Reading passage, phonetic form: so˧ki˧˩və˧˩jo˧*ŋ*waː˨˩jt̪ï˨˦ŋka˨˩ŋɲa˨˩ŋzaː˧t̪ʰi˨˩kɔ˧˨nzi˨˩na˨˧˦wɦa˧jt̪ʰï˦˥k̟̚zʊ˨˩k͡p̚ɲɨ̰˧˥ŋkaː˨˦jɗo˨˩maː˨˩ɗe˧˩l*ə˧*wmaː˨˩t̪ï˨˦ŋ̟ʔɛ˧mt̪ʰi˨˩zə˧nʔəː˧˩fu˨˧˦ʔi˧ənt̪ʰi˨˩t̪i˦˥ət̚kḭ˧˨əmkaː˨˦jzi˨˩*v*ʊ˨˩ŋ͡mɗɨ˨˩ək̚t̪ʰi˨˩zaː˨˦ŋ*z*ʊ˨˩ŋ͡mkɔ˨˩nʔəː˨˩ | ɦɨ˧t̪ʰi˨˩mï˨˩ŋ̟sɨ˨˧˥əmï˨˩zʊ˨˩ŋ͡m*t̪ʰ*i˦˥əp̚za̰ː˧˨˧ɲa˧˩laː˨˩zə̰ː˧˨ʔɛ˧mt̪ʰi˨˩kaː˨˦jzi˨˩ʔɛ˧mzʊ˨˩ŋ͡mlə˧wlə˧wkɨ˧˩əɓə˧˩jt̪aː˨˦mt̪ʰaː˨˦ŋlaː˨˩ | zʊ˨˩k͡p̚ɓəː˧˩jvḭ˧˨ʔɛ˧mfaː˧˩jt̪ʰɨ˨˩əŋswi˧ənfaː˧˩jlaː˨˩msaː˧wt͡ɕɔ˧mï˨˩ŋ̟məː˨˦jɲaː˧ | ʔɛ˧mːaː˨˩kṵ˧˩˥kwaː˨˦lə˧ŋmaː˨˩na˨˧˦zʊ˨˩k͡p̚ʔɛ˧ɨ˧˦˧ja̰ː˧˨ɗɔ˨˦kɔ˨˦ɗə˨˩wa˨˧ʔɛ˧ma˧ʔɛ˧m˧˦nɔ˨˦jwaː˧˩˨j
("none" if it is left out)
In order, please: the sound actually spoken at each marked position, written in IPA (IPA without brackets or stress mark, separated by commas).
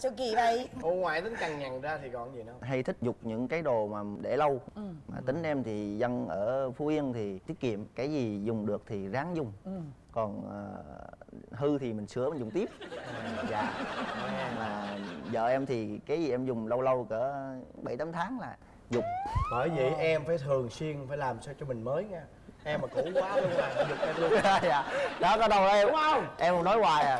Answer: ŋ, ə˧, z, z, t̪